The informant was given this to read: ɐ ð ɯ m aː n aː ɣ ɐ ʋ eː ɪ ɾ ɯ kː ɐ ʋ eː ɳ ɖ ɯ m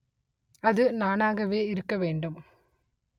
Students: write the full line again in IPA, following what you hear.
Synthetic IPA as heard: ɐ ð ɯ n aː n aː ɣ ɐ ʋ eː ɪ ɾ ɯ kː ɐ ʋ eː ɳ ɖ ɯ m